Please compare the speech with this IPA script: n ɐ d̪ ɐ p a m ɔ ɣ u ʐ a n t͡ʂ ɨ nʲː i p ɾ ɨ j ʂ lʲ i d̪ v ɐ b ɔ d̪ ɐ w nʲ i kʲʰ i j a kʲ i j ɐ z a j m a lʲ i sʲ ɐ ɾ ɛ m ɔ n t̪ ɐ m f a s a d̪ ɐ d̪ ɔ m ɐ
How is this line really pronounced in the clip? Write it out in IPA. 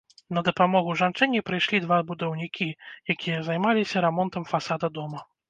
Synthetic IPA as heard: n ɐ d̪ ɐ p a m ɔ ɣ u ʐ a n t͡ʂ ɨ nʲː i p ɾ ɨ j ʂ lʲ i d̪ v a b u d̪ ɐ w nʲ i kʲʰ i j a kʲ i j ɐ z a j m a lʲ i sʲ ɐ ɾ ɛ m ɔ n t̪ ɐ m f a s a d̪ ɐ d̪ ɔ m ɐ